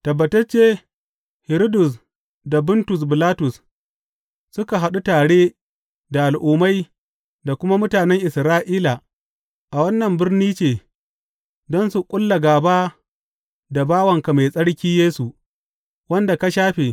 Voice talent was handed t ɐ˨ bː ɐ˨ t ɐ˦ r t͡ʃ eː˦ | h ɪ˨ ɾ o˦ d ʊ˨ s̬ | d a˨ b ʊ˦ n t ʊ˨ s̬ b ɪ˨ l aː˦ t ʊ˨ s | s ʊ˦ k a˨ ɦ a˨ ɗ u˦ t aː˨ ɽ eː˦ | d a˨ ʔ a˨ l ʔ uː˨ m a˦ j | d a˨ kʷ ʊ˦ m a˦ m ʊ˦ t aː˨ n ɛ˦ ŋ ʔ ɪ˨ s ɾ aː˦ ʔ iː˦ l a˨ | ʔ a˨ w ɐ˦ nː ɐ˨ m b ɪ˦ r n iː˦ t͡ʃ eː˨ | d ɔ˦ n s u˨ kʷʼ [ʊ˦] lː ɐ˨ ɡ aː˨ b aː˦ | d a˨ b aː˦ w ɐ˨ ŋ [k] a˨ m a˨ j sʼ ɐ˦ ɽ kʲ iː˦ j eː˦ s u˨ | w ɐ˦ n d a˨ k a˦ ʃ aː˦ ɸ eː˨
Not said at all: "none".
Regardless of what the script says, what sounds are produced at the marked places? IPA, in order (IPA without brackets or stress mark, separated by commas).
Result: ʊ˦, k